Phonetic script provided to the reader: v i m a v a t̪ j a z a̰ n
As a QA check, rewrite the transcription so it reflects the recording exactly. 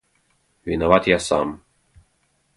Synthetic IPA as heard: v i n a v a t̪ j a s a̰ m